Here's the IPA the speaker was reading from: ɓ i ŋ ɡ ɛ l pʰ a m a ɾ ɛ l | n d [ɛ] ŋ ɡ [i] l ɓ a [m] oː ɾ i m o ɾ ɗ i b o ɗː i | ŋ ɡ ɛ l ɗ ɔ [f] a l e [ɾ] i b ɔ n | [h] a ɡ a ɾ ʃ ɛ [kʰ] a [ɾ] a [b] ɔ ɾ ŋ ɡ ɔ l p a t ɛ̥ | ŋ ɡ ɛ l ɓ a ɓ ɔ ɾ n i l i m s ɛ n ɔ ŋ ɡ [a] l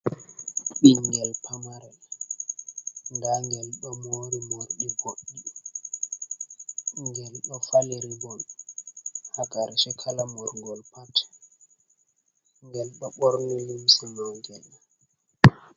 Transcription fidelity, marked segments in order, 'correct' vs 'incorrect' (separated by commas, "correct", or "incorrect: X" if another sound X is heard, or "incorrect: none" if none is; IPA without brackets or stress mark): incorrect: a, incorrect: ɛ, correct, correct, correct, correct, correct, incorrect: l, incorrect: m, incorrect: ɛ